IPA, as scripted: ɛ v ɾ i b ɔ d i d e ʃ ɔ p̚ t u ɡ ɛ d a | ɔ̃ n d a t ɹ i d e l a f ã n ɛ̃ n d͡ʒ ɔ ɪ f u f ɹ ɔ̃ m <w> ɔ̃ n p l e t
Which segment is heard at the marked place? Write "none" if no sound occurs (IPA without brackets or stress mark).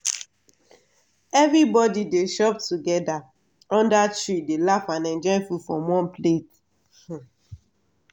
w